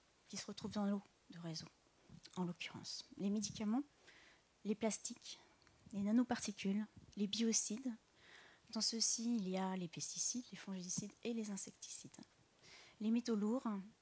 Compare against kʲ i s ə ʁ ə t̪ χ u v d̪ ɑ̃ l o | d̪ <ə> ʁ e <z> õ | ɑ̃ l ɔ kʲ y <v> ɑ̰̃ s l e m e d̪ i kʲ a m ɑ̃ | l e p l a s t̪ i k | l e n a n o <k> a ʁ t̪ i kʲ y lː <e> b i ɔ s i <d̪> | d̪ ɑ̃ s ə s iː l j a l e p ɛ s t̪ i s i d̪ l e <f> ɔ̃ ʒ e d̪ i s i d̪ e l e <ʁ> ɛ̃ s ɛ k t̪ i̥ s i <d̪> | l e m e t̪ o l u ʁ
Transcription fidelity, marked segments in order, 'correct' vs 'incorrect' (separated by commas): correct, correct, incorrect, incorrect, correct, correct, correct, incorrect, correct